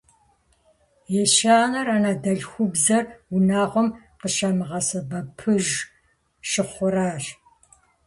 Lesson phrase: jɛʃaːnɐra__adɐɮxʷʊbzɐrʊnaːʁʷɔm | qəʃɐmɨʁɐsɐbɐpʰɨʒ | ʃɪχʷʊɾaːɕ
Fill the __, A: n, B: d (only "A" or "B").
A